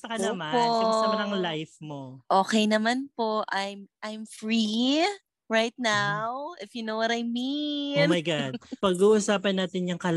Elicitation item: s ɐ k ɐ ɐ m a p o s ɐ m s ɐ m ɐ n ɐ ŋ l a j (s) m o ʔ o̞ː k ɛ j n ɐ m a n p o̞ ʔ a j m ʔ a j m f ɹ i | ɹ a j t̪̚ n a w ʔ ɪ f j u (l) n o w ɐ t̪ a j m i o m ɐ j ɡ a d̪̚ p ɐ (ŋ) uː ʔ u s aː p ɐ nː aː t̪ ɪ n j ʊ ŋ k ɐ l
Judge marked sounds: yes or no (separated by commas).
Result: no, no, no